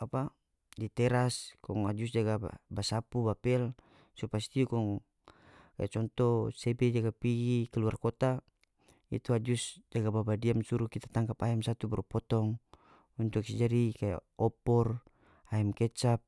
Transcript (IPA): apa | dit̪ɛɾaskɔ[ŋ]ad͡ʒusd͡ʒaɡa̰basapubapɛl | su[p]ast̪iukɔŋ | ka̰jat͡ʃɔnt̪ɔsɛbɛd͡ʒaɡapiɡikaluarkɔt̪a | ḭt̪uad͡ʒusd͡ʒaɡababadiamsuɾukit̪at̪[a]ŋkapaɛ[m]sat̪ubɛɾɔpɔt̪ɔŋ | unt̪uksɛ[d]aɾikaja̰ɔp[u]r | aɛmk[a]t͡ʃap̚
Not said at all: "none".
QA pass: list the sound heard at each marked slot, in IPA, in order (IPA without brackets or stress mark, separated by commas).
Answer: ŋ, p, a, m, d͡ʒ, ɔ, ɛ